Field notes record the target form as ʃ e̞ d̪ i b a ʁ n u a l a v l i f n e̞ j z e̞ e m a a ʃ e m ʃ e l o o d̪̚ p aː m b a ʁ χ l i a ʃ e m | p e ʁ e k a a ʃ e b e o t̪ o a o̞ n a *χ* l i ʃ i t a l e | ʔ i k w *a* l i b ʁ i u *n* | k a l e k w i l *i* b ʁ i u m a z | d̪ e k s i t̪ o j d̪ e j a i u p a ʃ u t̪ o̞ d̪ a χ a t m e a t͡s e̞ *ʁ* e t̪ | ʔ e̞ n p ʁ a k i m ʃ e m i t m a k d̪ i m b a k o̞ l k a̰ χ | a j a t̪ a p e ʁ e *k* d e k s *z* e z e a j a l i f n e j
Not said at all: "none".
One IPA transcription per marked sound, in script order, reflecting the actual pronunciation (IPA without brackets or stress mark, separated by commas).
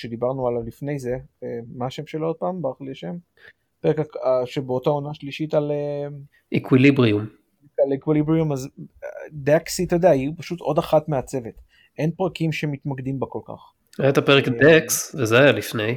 ʃ, i, m, i, v, k, v